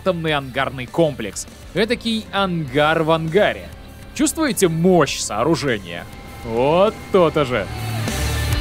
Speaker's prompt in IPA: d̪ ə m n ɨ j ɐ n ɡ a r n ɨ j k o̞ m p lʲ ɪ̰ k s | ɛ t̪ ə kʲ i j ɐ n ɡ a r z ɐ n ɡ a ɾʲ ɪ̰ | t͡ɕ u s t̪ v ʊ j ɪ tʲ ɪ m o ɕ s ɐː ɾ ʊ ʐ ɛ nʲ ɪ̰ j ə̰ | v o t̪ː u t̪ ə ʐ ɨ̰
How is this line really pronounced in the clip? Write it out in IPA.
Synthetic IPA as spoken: t̪ ə m n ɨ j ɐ n ɡ a r n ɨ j k o̞ m p lʲ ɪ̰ k s | ɛ t̪ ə kʲ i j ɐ n ɡ a r v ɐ n ɡ a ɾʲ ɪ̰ | t͡ɕ u s t̪ v ʊ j ɪ tʲ ɪ m o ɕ s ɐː ɾ ʊ ʐ ɛ nʲ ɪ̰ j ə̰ | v o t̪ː o t̪ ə ʐ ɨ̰